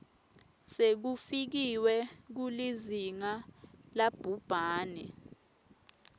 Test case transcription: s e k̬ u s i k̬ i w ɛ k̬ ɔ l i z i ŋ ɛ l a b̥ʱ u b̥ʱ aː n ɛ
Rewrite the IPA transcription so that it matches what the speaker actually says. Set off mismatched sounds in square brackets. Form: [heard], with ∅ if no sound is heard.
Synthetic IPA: s e k̬ u [f] i k̬ i w ɛ k̬ [u] l i z i ŋ [a] l a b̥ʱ u b̥ʱ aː n ɛ